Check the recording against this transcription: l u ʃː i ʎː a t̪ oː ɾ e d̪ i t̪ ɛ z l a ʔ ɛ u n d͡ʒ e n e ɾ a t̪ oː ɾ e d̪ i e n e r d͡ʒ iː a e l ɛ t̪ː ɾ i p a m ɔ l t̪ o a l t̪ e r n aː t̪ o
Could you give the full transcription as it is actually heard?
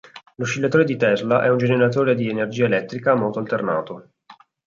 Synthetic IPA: l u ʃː i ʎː a t̪ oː ɾ e d̪ i t̪ ɛ z l a ʔ ɛ u n d͡ʒ e n e ɾ a t̪ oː ɾ e d̪ i e n e r d͡ʒ iː a e l ɛ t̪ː ɾ i k a m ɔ l t̪ o a l t̪ e r n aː t̪ o